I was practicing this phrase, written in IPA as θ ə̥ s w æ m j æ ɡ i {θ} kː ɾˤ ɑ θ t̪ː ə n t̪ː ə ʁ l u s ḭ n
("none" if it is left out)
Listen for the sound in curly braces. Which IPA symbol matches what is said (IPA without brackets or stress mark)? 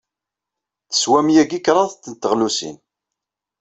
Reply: none